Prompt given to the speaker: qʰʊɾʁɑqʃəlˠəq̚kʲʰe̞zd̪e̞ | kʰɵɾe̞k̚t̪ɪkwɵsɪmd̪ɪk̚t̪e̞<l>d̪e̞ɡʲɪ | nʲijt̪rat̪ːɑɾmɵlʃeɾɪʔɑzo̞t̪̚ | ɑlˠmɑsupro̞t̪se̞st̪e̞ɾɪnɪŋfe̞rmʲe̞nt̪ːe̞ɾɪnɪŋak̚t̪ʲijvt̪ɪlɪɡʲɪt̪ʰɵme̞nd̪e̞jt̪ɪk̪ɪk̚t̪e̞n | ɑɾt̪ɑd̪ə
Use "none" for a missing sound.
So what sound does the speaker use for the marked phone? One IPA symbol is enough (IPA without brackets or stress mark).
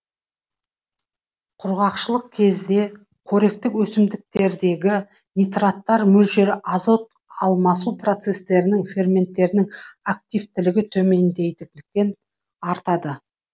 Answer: ɾ